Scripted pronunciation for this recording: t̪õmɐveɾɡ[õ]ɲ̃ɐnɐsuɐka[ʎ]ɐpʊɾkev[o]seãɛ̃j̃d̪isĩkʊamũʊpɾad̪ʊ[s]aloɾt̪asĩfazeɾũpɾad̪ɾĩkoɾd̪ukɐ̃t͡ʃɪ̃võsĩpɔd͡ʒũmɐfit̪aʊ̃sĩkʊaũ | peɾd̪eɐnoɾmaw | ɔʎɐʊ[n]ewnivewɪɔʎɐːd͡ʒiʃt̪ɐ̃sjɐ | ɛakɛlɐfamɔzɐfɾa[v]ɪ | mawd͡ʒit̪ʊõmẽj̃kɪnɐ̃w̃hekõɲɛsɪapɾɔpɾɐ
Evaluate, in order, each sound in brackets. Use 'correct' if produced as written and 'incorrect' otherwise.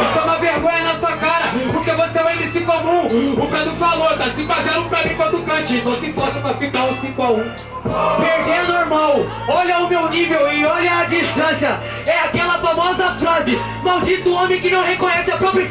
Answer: correct, incorrect: ɾ, correct, incorrect: f, incorrect: m, incorrect: z

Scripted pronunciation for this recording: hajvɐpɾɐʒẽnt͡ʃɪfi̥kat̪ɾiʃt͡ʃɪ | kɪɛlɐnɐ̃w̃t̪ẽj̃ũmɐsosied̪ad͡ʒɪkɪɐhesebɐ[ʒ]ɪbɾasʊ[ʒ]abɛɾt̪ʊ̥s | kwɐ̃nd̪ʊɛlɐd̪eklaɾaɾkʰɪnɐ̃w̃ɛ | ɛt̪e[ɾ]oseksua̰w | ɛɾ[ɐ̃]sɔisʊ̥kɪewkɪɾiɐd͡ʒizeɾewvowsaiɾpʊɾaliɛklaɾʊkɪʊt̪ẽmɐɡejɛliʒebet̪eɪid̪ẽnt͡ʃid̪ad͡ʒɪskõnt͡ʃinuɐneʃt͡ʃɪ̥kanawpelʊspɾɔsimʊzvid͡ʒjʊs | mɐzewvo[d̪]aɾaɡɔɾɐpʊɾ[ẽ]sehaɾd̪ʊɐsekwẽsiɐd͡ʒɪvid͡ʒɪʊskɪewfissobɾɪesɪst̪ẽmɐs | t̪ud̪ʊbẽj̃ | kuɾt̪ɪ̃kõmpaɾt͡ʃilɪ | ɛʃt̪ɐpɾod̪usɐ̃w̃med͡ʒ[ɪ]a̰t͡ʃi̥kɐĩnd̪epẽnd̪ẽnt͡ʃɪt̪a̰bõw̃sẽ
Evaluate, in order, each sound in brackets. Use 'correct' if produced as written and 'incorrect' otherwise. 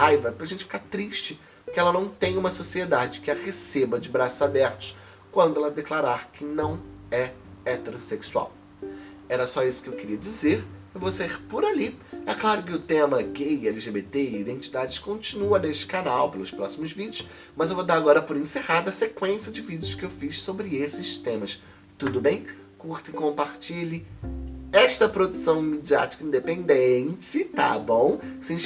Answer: incorrect: d͡ʒ, incorrect: z, correct, incorrect: ɐ, correct, correct, incorrect: i

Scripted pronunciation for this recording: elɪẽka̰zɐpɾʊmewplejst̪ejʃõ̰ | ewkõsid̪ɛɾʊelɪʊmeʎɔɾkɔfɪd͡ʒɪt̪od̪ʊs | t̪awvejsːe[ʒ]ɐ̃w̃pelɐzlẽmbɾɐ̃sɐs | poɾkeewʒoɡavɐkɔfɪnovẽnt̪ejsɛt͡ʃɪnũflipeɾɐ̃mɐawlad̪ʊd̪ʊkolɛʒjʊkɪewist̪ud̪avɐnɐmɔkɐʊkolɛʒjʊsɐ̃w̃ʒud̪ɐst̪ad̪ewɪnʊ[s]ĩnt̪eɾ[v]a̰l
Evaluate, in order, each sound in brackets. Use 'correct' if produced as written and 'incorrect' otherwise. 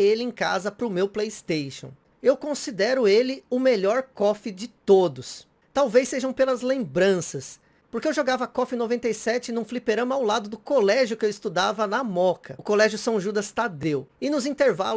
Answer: correct, incorrect: z, correct

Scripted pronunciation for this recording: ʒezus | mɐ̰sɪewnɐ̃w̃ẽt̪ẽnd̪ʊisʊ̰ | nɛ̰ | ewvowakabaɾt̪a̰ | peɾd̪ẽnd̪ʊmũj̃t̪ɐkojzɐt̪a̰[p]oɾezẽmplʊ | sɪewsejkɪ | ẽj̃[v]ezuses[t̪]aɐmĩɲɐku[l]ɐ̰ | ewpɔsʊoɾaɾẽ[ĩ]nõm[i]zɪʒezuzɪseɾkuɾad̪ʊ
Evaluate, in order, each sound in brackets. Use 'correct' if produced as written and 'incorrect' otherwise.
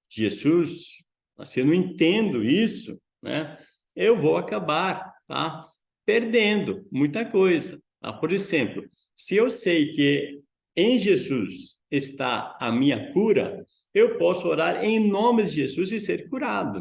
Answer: correct, incorrect: ʒ, correct, incorrect: ɾ, incorrect: j̃, incorrect: ɪ

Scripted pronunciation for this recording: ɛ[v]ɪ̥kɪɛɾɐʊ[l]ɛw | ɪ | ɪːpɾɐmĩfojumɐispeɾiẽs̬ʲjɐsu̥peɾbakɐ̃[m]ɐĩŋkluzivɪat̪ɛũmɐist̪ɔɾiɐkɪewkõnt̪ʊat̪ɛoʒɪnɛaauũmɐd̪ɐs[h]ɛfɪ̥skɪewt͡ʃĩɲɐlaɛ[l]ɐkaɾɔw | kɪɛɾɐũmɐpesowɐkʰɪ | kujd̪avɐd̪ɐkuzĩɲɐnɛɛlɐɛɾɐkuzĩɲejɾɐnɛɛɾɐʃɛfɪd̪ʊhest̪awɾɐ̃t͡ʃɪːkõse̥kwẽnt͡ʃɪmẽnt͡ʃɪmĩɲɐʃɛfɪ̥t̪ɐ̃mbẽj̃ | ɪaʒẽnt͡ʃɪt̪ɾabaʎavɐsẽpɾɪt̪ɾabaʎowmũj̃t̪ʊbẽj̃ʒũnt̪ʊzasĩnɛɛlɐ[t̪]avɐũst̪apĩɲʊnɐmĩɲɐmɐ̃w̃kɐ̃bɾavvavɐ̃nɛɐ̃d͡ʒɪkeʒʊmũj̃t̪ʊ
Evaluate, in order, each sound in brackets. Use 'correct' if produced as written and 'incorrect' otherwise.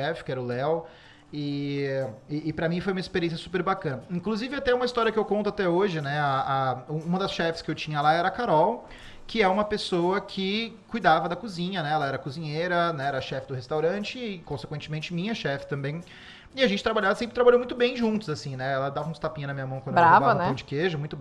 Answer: incorrect: f, correct, incorrect: n, incorrect: ʃ, incorrect: ɾ, incorrect: d̪

